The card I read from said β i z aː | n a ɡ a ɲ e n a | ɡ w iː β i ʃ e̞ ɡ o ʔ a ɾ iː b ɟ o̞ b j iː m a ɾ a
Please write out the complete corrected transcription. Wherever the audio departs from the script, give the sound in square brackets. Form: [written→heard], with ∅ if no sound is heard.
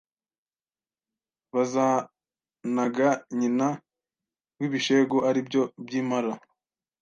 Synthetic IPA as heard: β [i→a] z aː | n a ɡ a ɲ [e→i] n a | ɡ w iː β i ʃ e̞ ɡ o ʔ a ɾ [iː→i] b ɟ o̞ b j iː m a ɾ a